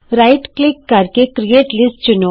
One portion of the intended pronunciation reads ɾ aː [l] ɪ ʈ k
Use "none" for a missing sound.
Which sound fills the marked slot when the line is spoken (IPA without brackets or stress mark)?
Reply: none